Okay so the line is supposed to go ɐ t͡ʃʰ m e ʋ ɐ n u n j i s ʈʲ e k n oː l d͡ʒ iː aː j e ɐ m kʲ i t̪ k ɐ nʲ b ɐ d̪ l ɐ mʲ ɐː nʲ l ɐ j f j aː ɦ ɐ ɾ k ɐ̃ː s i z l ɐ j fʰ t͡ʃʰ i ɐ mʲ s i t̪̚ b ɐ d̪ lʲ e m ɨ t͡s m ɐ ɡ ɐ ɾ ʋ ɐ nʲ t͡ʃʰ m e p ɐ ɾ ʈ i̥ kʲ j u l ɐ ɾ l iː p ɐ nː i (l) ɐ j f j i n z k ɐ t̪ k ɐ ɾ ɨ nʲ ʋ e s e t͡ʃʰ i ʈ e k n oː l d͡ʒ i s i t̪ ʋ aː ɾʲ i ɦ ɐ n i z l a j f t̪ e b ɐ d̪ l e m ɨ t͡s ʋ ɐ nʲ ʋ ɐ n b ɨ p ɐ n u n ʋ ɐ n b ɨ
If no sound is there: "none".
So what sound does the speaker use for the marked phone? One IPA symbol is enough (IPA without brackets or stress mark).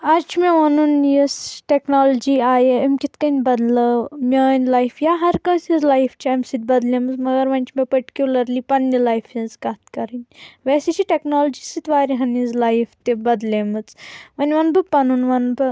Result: l